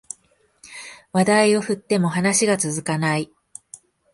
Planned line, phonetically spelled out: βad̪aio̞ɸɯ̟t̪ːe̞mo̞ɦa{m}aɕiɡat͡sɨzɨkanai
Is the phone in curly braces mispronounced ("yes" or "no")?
yes